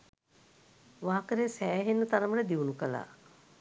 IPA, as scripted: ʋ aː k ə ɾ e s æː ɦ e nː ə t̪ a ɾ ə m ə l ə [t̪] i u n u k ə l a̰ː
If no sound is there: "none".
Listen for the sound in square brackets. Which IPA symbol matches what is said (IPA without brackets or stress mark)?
d̪